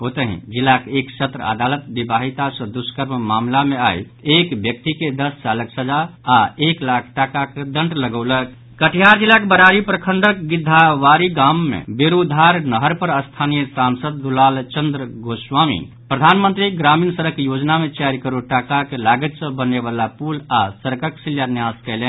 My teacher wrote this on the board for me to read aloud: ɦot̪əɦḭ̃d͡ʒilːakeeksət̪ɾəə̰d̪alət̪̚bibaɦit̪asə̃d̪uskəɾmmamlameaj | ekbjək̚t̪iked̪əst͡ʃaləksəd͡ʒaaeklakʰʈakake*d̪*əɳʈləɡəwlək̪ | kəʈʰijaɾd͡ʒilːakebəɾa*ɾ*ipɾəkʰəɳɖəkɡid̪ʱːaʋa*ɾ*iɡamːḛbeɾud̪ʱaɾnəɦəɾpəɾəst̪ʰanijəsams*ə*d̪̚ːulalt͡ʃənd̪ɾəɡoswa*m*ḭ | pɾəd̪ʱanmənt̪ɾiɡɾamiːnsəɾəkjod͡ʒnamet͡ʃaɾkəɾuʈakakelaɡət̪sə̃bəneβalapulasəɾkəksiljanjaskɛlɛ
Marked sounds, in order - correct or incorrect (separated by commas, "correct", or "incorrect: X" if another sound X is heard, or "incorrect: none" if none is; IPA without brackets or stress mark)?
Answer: correct, correct, correct, correct, correct